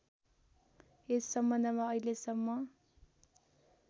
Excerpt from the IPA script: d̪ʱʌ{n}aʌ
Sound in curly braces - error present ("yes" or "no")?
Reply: yes